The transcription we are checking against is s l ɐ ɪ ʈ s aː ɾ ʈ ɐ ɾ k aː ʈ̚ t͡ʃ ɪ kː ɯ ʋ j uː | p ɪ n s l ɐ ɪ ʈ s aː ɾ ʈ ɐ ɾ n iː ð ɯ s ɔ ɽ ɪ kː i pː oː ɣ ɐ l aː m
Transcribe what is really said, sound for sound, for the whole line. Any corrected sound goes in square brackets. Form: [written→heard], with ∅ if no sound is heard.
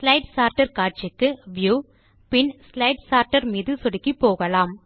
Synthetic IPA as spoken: s l ɐ ɪ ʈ s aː ɾ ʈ ɐ ɾ k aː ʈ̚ t͡ʃ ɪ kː ɯ ʋ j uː | p ɪ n s l ɐ ɪ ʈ s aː ɾ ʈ ɐ ɾ [n→m] iː ð ɯ s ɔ ɽ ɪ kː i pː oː ɣ ɐ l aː m